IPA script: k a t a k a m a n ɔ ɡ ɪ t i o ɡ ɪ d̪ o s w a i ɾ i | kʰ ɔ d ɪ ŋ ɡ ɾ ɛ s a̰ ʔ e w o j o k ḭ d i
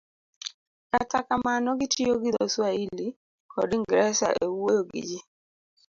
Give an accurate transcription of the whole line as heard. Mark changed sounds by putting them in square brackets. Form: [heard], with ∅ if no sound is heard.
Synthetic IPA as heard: k a t a k a m a n ɔ ɡ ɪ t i o ɡ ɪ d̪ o s w a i [l] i | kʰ ɔ d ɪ ŋ ɡ ɾ ɛ s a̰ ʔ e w o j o [ɡ] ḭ [d͡ʒ] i